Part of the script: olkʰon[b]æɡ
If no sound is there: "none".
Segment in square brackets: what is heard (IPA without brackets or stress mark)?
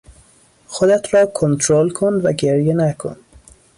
v